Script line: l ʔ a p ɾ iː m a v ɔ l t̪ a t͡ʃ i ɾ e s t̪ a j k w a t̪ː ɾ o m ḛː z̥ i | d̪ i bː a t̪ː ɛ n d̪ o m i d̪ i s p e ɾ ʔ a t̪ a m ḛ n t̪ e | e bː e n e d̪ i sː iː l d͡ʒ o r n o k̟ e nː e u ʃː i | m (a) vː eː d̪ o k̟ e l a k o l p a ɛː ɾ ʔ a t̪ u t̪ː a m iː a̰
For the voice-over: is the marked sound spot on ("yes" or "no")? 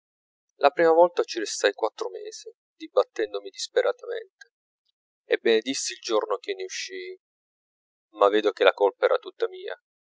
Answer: yes